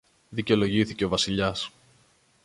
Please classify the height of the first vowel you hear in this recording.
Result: high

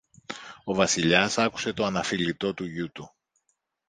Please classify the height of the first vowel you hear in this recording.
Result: mid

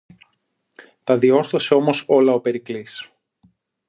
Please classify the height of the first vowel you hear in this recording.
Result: low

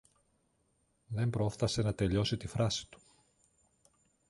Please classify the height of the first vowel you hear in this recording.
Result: mid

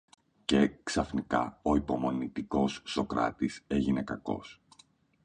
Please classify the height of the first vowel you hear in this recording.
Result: mid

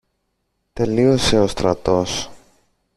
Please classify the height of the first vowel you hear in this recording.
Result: mid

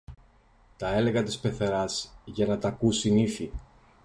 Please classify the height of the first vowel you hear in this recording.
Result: low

